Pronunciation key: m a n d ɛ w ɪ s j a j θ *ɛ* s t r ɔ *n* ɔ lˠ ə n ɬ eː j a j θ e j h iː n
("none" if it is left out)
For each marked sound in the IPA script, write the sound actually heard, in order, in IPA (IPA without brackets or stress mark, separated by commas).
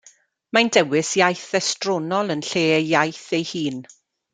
ɛ, n